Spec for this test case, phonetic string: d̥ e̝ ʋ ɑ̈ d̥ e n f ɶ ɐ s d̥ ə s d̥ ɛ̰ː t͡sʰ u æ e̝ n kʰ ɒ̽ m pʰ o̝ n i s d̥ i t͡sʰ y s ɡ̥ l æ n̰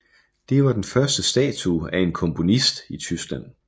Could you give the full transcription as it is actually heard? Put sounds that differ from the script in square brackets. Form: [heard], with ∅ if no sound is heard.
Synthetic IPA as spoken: d̥ e̝ ʋ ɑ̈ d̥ e n f ɶ ɐ s d̥ ə s d̥ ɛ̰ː t͡sʰ u æ e̝ n kʰ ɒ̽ m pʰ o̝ n i s d̥ i t͡sʰ y s ɡ̥ l æ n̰